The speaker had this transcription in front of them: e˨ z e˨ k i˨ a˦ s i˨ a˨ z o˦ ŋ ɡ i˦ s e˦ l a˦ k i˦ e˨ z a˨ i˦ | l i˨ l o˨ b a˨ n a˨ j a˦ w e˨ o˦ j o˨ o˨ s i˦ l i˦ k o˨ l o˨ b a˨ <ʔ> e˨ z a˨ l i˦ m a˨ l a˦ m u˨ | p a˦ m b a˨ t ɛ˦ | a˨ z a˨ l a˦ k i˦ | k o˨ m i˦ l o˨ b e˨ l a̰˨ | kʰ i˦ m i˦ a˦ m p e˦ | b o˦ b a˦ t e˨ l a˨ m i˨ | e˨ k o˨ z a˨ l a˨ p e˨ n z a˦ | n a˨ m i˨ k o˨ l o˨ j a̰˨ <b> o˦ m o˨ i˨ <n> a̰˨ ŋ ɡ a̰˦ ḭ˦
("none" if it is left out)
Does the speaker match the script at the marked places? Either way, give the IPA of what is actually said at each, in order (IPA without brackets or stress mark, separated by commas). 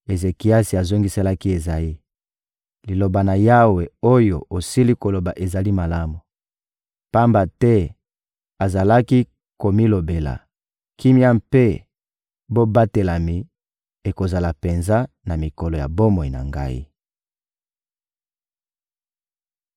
ʔ, b, n